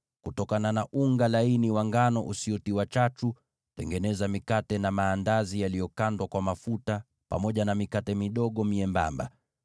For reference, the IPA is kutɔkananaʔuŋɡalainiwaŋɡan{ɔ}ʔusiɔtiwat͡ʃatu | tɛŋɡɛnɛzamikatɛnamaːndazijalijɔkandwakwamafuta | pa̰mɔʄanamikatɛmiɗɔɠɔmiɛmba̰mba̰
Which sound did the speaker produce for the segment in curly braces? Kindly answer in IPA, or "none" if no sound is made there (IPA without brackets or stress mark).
ɔ